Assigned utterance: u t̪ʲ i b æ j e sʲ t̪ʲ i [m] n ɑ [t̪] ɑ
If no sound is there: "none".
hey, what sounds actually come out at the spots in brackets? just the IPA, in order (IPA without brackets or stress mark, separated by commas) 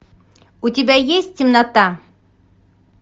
m, t̪